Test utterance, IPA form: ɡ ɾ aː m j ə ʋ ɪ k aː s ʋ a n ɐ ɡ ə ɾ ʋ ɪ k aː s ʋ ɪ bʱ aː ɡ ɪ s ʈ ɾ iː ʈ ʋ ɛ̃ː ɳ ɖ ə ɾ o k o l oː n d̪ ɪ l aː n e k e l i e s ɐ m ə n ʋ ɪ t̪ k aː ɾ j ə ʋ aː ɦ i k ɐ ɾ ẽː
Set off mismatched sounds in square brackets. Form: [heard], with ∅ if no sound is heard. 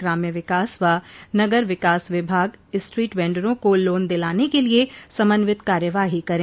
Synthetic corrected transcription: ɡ ɾ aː m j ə ʋ ɪ k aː s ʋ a n ɐ ɡ ə ɾ ʋ ɪ k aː s ʋ ɪ bʱ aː ɡ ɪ s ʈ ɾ iː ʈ ʋ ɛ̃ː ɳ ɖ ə ɾ [õ] k o l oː n d̪ ɪ l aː n e k e l i e s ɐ m ə n ʋ ɪ t̪ k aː ɾ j ə ʋ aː ɦ i k ɐ ɾ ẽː